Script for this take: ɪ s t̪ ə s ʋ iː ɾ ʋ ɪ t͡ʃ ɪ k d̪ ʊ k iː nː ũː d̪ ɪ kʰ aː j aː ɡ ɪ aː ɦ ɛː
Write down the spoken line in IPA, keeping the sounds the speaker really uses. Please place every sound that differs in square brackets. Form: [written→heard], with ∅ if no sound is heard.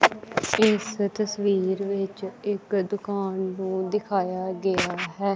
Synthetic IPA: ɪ s t̪ ə s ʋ iː ɾ ʋ ɪ t͡ʃ ɪ k d̪ ʊ k [iː→aː] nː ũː d̪ ɪ kʰ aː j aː ɡ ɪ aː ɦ ɛː